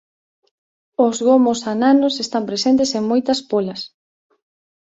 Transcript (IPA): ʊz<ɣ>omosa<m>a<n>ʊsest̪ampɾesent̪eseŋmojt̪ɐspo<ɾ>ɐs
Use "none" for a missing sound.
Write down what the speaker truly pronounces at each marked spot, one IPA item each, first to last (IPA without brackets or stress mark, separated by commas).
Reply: ɣ, n, n, l